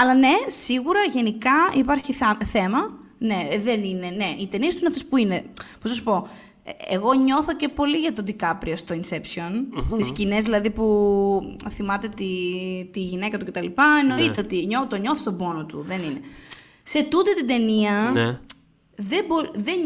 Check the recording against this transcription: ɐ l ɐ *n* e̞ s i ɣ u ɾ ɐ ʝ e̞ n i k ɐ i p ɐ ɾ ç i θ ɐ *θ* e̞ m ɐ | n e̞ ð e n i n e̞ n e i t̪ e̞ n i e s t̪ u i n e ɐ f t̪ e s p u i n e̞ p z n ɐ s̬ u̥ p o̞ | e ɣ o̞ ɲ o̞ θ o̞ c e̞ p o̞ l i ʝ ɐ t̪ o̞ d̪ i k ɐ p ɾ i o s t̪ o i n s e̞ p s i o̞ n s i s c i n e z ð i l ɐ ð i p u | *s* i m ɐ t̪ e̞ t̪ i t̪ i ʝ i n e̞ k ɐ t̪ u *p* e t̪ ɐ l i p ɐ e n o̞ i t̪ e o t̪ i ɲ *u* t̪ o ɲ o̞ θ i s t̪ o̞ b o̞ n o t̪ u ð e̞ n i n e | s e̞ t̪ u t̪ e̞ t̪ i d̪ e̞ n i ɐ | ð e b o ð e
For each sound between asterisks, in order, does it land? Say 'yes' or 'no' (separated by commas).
yes, yes, no, no, no